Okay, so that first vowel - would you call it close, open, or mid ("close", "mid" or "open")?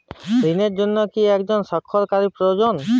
close